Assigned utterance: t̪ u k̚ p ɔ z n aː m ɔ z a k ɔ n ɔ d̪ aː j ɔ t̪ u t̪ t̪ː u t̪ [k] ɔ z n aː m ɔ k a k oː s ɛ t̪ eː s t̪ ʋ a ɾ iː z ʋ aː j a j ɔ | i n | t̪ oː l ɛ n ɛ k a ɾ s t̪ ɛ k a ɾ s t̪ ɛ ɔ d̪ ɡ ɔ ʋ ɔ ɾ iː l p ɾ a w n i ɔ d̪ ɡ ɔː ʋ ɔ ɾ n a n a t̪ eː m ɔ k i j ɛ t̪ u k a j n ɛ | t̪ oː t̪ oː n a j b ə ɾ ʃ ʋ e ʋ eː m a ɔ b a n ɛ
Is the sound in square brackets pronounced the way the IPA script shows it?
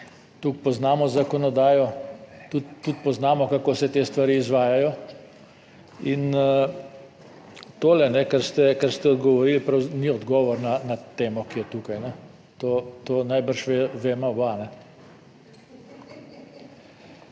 no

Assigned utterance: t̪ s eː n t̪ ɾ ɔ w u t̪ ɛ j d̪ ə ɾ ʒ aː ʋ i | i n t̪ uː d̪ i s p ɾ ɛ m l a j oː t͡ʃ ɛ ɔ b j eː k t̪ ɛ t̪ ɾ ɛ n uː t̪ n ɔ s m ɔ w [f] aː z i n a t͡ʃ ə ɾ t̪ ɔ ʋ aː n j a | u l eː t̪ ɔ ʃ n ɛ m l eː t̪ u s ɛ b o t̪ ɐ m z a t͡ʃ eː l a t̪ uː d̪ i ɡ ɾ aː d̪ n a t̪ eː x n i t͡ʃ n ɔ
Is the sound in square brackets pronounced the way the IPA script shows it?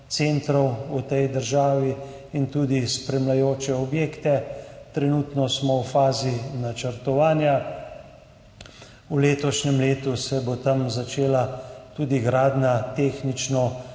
yes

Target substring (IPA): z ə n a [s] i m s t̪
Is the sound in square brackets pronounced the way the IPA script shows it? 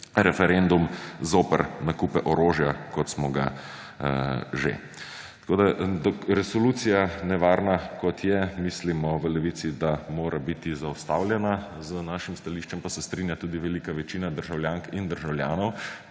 no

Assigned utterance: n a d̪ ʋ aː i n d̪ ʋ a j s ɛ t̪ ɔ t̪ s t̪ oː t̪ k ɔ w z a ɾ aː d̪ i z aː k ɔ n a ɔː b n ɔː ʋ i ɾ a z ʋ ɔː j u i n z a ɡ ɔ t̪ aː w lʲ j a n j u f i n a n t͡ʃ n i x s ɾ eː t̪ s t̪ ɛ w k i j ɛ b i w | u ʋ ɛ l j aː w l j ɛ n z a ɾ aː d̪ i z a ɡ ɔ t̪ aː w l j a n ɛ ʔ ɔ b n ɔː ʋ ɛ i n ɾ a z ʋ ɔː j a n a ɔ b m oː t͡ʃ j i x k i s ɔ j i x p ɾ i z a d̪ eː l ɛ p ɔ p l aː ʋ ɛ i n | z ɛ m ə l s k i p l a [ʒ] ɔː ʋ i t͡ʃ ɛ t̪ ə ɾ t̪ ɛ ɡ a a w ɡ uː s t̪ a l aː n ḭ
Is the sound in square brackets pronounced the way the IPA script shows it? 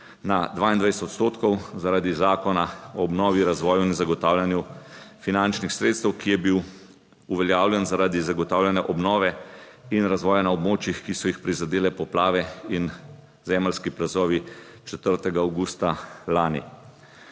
no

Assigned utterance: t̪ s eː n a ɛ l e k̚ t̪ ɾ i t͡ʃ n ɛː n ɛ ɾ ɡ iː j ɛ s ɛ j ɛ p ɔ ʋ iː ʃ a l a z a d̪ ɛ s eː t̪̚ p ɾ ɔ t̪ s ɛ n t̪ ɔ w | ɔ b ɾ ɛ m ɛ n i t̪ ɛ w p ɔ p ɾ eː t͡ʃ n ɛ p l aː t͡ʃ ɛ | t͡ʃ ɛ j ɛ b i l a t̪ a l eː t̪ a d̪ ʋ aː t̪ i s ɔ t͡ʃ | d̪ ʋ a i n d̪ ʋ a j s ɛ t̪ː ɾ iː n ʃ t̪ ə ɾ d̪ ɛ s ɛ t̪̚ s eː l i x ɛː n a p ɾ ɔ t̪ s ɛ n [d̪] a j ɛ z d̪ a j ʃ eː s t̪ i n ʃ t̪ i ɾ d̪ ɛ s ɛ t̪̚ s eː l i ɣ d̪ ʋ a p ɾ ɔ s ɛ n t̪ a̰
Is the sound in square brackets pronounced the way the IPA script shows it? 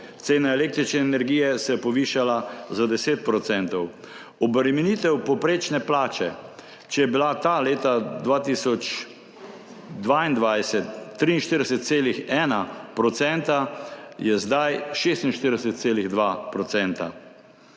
no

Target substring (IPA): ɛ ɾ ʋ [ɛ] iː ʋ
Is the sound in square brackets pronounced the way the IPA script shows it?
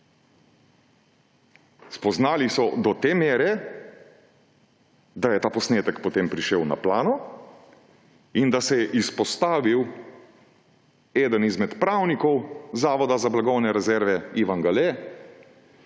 yes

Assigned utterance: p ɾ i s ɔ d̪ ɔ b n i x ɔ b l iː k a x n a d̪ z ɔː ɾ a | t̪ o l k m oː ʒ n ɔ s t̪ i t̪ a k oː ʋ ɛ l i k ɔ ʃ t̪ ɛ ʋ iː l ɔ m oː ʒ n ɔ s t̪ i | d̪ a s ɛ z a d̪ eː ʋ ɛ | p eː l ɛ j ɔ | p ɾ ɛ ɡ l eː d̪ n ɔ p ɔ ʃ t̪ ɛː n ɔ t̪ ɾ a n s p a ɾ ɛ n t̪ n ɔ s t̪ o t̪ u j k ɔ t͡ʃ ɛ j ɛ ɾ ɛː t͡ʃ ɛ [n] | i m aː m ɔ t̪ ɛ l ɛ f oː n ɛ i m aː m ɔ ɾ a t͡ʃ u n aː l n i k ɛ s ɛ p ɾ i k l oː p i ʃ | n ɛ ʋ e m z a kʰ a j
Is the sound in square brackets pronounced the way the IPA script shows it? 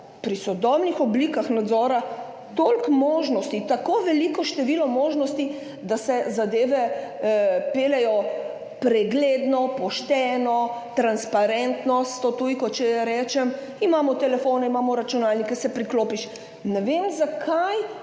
no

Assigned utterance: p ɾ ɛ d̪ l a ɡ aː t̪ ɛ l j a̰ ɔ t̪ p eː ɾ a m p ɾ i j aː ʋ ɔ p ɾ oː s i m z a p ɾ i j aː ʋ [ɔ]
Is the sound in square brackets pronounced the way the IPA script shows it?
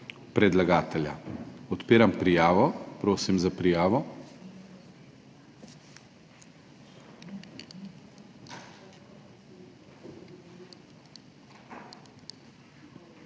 yes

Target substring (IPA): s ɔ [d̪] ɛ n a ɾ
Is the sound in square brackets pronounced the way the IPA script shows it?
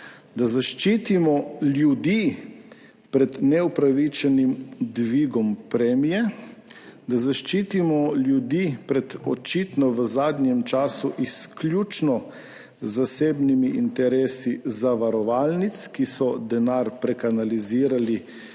yes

